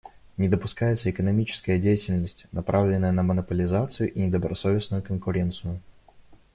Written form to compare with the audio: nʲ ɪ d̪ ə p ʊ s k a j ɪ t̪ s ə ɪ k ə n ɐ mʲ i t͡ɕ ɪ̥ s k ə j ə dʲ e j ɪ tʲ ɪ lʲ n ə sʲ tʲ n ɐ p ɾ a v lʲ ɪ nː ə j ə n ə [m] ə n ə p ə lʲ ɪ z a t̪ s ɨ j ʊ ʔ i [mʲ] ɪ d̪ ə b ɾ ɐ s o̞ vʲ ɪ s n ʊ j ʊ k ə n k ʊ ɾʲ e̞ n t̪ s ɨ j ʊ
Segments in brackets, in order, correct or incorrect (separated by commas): correct, incorrect